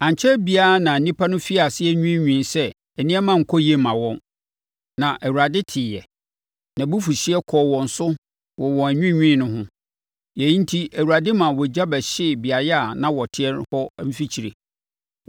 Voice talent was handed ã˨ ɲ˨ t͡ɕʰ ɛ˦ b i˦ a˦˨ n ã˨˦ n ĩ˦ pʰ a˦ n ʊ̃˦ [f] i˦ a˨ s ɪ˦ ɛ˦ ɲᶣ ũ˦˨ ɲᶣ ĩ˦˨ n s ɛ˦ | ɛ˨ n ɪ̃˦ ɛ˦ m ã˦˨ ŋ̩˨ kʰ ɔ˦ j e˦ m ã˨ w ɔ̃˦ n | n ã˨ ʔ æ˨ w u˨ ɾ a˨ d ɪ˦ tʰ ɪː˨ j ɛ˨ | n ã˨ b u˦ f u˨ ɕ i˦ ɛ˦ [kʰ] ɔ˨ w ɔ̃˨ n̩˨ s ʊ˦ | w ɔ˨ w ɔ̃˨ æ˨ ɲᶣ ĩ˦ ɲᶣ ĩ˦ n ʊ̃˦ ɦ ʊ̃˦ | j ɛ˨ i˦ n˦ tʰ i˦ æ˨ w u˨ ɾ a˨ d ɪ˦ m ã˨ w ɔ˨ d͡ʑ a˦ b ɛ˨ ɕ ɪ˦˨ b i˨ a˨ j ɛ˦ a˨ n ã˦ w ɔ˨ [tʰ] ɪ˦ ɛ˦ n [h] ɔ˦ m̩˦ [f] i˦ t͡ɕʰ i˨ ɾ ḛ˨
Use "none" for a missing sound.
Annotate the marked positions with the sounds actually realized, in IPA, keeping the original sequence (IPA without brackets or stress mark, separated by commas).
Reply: f, kʰ, tʰ, h, f